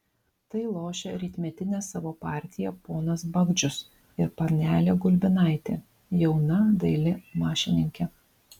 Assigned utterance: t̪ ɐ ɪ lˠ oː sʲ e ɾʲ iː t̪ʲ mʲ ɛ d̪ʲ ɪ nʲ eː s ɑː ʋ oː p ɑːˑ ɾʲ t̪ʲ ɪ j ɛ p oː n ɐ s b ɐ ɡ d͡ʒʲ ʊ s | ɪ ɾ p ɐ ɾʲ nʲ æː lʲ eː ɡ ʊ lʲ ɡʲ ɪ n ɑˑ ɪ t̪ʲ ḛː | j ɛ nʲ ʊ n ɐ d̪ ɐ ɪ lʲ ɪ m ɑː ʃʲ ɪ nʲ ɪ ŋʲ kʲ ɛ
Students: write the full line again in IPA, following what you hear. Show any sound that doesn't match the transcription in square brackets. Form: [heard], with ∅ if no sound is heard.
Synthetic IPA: t̪ ɐ ɪ lˠ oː [ʃʲ] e ɾʲ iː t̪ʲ mʲ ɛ [t̪ʲ] ɪ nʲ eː s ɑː ʋ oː p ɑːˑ ɾʲ t̪ʲ ɪ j ɛ p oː n ɐ s b ɐ ɡ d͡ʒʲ ʊ s | ɪ ɾ p ɐ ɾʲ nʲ æː lʲ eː ɡ ʊ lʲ [bʲ] ɪ n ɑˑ ɪ t̪ʲ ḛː | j ɛ [∅] ʊ n ɐ d̪ ɐ ɪ lʲ ɪ m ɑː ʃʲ ɪ nʲ ɪ ŋʲ kʲ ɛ